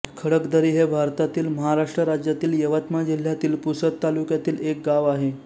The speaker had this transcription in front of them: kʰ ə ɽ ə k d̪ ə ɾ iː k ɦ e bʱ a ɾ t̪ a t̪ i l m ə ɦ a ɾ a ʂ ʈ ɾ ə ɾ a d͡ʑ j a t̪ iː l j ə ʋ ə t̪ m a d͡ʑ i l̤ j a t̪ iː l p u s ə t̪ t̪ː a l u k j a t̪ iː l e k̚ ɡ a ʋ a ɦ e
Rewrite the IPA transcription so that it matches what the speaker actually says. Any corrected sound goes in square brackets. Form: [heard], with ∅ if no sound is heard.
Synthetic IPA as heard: kʰ ə ɽ ə k d̪ ə ɾ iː [∅] ɦ e bʱ a ɾ t̪ a t̪ [iː] l m ə ɦ a ɾ a ʂ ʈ ɾ ə ɾ a d͡ʑ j a t̪ iː l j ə ʋ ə t̪ m a d͡ʑ i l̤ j a t̪ iː l p u s ə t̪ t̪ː a l u k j a t̪ iː l e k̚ ɡ a ʋ a ɦ e